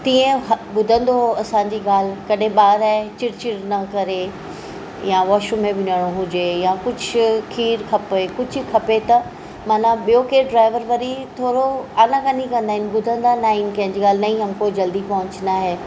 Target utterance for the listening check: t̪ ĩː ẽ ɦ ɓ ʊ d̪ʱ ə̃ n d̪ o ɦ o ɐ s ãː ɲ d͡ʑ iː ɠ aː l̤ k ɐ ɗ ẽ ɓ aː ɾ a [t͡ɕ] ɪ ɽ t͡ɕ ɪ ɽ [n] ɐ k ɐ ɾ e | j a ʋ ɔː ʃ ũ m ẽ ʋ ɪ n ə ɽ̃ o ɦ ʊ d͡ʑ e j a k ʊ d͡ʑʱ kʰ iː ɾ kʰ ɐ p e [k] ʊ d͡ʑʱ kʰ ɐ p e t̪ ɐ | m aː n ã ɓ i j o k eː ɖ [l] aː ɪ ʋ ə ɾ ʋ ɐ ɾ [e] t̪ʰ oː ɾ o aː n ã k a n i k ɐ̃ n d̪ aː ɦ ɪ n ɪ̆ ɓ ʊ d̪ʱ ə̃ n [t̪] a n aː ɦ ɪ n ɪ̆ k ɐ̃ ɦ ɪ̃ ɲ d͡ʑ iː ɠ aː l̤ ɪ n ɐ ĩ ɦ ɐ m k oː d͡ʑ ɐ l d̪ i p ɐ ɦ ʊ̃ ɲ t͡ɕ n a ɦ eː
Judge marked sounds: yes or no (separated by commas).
yes, yes, yes, no, no, no